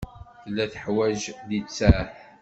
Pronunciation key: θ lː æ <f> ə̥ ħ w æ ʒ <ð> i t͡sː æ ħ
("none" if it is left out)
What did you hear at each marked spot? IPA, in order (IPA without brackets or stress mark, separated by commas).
θ, ð